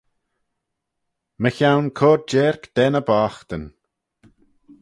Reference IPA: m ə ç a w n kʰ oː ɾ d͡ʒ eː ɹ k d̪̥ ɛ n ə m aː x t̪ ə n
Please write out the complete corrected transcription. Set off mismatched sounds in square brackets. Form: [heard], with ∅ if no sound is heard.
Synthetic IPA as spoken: m ə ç a w n kʰ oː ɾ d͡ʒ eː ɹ k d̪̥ ɛ n ə [b] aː x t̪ ə n